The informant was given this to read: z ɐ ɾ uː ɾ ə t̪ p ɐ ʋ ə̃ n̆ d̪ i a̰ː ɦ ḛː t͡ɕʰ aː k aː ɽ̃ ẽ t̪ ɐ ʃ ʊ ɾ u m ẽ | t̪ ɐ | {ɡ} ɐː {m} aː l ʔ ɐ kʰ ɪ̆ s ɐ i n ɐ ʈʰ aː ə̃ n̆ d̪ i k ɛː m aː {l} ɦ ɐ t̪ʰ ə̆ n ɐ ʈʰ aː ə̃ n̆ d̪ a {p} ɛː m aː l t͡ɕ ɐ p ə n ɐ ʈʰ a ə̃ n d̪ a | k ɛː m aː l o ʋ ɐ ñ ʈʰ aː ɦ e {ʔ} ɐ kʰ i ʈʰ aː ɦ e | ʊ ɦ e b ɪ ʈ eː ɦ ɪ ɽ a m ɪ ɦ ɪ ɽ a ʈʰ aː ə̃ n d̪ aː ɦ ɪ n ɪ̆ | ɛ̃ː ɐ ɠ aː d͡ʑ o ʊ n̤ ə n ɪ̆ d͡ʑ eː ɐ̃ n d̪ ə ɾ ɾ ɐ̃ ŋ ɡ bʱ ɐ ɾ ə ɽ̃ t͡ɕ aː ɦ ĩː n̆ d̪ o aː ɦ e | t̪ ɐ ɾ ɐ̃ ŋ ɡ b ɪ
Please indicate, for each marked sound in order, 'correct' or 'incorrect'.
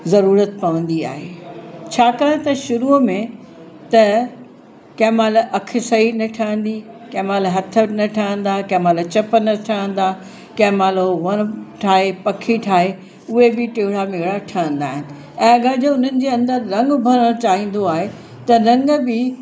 incorrect: k, correct, correct, incorrect: k, incorrect: p

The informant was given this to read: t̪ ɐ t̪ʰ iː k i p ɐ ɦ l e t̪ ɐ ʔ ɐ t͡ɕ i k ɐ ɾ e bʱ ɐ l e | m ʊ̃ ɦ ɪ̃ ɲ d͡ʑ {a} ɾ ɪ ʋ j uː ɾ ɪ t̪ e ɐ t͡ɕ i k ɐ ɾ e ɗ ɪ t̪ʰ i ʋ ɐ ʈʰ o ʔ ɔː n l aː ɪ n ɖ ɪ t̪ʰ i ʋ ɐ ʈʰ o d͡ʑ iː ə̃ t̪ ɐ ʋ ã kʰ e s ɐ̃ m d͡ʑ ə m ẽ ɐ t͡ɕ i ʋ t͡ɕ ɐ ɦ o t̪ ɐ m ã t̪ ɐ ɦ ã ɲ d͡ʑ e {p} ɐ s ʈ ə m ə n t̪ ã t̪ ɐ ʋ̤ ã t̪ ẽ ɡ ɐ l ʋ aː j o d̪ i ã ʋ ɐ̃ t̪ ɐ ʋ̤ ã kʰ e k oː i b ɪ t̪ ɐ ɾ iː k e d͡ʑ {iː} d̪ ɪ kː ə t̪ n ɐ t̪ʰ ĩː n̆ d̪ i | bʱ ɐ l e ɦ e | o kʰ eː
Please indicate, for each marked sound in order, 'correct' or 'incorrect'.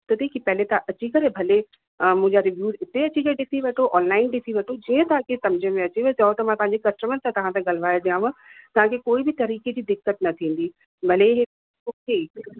correct, incorrect: k, correct

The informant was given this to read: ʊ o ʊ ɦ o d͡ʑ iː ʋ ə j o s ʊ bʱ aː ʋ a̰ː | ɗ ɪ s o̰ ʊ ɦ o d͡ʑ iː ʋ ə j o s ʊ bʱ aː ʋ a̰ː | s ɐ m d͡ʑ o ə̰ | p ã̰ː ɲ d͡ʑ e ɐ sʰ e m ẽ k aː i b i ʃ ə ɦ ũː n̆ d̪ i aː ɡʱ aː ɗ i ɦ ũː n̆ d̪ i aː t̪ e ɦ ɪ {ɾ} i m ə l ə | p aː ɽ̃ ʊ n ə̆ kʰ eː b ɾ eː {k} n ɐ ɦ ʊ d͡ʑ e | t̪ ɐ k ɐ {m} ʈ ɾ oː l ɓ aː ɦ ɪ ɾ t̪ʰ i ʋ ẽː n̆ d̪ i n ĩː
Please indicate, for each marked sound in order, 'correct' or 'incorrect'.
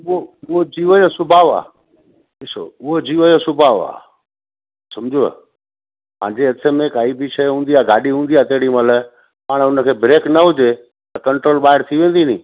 incorrect: ɽ, correct, incorrect: ɳ

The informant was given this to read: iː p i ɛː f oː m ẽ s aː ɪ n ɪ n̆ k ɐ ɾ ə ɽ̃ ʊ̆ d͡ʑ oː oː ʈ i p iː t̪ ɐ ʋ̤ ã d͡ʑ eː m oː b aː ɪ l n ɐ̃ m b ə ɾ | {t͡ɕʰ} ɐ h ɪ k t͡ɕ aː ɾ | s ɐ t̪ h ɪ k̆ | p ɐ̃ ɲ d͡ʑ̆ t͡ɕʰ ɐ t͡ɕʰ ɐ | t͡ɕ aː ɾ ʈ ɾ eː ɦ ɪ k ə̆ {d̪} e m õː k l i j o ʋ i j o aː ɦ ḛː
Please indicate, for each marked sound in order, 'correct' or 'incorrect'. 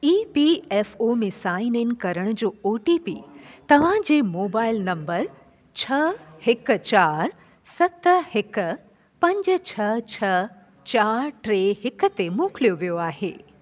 correct, incorrect: t̪

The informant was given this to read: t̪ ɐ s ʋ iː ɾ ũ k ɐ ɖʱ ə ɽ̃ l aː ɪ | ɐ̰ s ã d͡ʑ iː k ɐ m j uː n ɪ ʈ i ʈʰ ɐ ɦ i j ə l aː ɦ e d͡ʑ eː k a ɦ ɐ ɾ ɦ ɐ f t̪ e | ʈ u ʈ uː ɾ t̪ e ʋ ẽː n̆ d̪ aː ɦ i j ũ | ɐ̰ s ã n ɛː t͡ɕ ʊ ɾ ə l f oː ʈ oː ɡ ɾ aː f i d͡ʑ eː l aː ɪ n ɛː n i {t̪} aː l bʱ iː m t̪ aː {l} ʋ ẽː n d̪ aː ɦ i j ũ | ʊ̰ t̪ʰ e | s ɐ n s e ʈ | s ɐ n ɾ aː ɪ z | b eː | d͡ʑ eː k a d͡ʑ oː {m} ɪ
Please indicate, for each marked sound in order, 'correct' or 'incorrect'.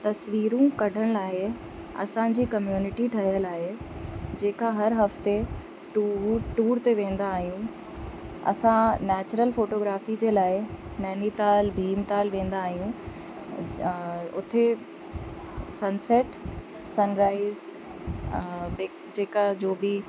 correct, correct, incorrect: b

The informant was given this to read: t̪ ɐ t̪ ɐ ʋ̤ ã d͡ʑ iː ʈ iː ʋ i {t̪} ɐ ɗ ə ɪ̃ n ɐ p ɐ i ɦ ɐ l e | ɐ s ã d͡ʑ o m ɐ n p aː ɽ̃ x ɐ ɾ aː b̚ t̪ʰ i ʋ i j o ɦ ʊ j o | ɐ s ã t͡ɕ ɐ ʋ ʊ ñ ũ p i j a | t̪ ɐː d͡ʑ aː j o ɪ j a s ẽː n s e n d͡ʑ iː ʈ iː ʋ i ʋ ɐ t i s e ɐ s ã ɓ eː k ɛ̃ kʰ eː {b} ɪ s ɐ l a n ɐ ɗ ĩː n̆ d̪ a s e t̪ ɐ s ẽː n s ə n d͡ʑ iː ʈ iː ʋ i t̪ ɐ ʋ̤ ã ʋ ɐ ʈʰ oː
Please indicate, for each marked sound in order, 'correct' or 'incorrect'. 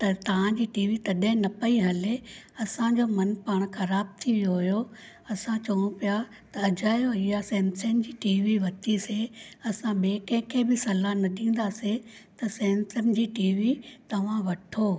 correct, correct

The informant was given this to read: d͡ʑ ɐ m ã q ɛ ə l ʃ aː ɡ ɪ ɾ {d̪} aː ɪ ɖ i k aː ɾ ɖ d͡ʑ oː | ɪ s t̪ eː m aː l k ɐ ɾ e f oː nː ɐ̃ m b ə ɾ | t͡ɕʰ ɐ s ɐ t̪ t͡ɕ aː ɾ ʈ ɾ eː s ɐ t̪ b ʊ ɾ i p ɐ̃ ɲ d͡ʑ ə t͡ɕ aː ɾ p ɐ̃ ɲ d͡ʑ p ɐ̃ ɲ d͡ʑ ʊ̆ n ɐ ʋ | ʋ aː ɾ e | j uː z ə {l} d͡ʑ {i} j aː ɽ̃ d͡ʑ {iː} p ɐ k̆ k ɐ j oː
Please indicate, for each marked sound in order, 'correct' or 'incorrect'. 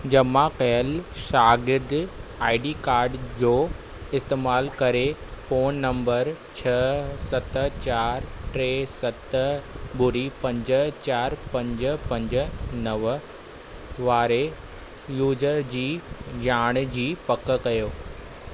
correct, incorrect: ɾ, incorrect: iː, correct

